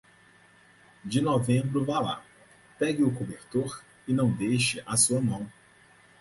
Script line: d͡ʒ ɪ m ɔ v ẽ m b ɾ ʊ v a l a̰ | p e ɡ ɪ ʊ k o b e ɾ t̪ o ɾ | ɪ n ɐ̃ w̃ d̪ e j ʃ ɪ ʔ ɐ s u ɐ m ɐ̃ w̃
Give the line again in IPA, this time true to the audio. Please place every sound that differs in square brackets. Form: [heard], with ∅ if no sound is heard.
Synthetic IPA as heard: d͡ʒ ɪ [n] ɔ v ẽ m b ɾ ʊ v a l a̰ | p [ɛ] ɡ ɪ ʊ k o b e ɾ t̪ o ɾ | ɪ n ɐ̃ w̃ d̪ e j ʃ ɪ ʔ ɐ s u ɐ m ɐ̃ w̃